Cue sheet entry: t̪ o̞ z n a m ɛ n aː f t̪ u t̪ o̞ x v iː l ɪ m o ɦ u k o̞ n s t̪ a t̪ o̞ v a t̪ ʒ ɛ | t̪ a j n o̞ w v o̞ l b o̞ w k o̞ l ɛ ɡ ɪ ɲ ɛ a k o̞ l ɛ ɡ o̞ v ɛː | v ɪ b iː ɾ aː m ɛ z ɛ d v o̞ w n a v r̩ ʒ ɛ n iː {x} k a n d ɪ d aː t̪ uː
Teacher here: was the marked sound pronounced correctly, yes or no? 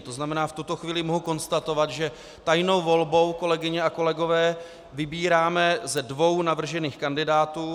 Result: yes